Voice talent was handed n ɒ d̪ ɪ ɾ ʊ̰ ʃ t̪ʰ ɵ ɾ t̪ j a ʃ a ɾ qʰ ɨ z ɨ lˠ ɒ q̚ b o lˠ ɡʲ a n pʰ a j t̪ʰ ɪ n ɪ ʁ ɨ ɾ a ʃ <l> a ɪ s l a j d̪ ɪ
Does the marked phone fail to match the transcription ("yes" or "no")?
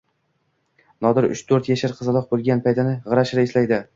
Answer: yes